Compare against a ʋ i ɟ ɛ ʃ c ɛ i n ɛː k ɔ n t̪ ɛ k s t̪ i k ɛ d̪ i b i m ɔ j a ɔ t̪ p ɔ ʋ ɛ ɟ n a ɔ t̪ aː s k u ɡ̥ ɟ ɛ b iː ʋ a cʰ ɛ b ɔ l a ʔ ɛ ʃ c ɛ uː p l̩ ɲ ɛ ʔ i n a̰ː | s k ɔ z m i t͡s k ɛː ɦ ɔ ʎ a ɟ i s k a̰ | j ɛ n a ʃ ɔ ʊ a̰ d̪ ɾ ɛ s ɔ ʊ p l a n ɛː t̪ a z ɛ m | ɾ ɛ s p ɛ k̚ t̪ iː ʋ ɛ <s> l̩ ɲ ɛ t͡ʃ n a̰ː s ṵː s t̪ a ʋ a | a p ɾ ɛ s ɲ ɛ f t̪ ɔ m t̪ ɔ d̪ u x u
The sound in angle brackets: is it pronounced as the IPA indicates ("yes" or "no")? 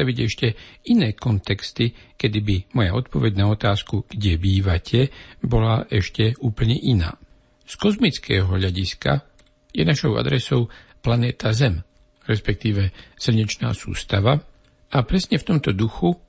yes